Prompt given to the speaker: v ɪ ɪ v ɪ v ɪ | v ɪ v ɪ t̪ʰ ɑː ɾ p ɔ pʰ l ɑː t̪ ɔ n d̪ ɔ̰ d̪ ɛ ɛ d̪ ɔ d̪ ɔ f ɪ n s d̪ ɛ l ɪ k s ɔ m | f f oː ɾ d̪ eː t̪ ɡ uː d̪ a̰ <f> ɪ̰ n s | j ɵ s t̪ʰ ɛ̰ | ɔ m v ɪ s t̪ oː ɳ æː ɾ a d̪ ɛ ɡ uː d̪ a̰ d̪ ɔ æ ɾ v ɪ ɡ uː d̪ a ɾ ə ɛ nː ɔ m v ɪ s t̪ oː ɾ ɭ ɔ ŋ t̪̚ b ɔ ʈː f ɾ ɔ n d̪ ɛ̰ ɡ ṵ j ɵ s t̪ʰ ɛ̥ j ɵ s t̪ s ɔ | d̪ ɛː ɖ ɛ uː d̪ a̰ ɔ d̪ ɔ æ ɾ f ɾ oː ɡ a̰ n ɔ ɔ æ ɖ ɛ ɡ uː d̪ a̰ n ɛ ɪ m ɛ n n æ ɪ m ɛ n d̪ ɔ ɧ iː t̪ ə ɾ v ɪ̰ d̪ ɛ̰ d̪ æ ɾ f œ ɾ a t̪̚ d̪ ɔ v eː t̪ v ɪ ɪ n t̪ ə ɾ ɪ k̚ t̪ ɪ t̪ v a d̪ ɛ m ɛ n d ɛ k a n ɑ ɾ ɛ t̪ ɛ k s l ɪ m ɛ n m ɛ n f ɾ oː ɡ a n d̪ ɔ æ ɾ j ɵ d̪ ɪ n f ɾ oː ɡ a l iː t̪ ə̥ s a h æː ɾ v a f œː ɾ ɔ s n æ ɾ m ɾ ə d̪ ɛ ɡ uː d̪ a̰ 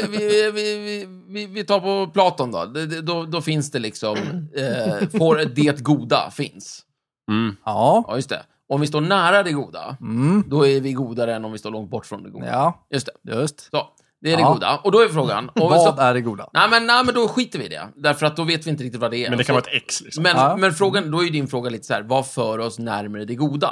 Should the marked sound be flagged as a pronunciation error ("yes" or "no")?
no